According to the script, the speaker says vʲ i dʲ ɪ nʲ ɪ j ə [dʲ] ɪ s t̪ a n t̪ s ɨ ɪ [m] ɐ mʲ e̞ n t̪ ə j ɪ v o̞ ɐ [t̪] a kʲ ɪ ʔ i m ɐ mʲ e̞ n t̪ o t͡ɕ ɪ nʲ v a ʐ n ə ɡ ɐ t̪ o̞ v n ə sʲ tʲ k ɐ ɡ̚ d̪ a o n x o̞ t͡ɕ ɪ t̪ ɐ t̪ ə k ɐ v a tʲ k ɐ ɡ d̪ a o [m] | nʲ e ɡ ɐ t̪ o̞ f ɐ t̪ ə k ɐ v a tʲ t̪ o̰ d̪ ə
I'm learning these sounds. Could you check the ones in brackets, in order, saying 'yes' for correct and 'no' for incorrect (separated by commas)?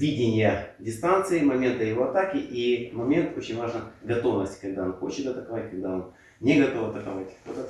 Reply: yes, yes, yes, no